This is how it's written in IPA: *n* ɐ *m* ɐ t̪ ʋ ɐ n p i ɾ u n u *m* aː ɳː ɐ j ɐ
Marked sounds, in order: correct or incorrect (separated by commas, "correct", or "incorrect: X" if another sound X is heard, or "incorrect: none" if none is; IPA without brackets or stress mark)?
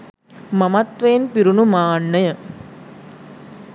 incorrect: m, correct, correct